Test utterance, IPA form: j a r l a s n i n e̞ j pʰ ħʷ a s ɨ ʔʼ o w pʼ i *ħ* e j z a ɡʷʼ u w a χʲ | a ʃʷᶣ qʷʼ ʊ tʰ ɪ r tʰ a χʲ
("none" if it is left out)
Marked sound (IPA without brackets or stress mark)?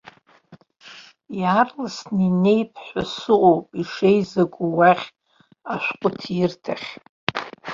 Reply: ʂ